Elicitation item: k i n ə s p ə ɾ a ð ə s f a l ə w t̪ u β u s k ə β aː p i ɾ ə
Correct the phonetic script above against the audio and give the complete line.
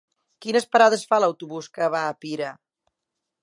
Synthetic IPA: k i n ə s p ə ɾ a ð ə s f a l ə w t̪ u β u s k ə β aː p i ɾ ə

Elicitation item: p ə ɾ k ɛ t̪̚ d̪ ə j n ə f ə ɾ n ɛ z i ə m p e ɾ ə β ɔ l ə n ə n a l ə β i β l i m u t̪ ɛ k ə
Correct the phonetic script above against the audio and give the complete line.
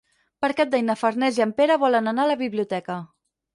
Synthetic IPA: p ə ɾ k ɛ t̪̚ d̪ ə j n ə f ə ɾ n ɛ z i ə m p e ɾ ə β ɔ l ə n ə n a l ə β i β l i u t̪ ɛ k ə

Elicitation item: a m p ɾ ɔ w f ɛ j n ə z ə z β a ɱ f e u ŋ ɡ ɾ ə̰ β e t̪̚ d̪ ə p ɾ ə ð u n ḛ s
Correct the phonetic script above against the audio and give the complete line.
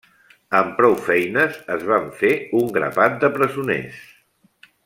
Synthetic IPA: ə m p ɾ ɔ w f ɛ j n ə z ə z β a ɱ f e u ŋ ɡ ɾ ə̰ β a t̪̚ d̪ ə p ɾ ə z u n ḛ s

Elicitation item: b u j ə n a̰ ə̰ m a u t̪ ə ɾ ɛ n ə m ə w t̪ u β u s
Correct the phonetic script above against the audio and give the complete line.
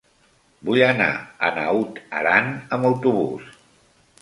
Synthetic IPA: b u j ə n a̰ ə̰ n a u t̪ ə ɾ a n ə m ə w t̪ u β u s

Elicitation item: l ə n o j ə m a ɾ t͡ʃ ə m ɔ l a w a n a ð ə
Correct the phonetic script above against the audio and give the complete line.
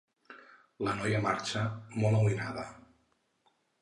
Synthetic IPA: l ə n ɔ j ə m a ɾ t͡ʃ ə m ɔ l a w i n a ð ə

